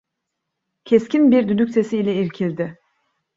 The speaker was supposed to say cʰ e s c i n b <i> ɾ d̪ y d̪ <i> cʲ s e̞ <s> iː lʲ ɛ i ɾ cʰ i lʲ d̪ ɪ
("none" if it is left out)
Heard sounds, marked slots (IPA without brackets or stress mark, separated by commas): i, y, s